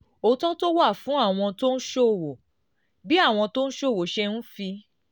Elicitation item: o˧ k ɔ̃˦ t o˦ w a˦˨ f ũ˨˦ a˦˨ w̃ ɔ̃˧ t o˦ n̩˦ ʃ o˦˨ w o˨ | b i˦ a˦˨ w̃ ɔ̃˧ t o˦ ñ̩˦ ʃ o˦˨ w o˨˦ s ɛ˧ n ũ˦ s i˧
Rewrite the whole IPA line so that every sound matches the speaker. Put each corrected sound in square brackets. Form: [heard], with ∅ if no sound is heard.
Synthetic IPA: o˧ [t] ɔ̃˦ t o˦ w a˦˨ f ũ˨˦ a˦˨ w̃ ɔ̃˧ t o˦ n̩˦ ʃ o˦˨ w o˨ | b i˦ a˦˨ w̃ ɔ̃˧ t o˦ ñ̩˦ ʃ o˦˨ w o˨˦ [ʃ] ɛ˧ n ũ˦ [f] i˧